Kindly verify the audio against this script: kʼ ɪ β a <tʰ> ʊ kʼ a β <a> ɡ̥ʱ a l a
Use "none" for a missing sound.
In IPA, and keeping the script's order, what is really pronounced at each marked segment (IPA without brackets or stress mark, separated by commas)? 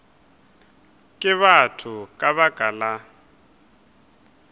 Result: tʰ, a